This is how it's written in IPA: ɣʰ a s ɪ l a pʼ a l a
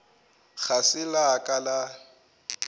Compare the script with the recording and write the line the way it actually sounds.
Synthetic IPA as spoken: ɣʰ a s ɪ l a kʼ a l a